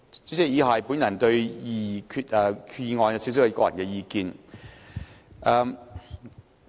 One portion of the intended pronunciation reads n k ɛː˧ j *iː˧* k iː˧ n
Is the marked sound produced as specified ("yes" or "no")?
yes